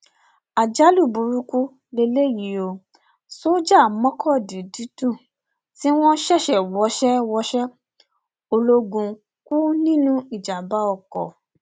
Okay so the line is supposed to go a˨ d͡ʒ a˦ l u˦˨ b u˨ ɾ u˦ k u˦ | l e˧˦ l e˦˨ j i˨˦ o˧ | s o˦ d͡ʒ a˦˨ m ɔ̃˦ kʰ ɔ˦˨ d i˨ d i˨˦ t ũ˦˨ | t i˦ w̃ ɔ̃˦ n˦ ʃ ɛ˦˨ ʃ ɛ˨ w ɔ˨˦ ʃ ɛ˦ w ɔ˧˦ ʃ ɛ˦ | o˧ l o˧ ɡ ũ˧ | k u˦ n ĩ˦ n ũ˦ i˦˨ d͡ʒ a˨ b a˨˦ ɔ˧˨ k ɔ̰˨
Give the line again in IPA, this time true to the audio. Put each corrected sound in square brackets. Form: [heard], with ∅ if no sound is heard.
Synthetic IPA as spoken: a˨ d͡ʒ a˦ l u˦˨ b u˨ ɾ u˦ k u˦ | l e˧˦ l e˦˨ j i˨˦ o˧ | s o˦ d͡ʒ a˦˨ m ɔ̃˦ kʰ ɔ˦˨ d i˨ d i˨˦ t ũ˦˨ | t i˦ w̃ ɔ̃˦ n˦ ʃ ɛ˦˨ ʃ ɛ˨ w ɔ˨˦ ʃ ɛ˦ w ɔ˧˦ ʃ ɛ˦ | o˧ l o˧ ɡ ũ˧ | k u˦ n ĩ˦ n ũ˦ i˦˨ d͡ʒ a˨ b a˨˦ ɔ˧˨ k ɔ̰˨